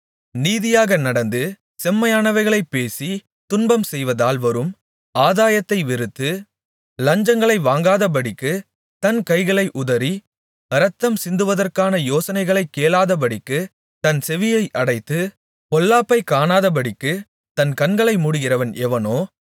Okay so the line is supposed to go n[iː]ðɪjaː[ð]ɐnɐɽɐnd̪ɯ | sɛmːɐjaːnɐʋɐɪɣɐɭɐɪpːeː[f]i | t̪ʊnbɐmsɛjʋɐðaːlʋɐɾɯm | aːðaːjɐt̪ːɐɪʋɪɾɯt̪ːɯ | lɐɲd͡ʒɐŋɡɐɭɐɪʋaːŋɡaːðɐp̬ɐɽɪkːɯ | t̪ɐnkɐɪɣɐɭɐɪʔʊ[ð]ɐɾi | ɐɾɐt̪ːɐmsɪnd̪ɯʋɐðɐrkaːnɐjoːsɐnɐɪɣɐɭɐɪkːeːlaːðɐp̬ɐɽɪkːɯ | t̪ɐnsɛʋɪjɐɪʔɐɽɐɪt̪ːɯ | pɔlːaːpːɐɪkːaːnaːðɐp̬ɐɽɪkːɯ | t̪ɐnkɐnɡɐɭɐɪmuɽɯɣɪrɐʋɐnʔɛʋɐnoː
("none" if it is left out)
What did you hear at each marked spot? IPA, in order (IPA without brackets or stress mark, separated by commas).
iː, ɣ, s, ð